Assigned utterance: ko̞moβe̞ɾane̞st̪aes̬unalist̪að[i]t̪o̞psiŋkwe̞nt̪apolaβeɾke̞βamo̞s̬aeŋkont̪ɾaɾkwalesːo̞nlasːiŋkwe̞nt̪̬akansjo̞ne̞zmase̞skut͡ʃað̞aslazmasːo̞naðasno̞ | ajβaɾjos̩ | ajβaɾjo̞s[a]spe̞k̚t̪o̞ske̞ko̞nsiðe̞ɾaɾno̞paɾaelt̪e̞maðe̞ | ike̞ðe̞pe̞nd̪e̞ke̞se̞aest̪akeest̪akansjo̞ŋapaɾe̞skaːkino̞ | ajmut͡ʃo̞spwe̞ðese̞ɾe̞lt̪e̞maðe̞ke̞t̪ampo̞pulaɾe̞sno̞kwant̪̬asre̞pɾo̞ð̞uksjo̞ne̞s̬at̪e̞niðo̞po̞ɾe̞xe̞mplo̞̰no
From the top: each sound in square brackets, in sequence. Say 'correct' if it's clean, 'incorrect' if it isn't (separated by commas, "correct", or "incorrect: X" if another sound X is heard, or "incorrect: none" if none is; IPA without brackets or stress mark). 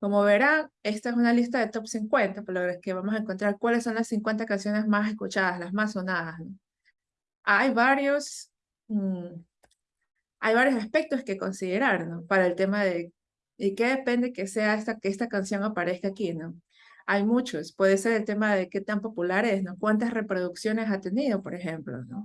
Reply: incorrect: e, correct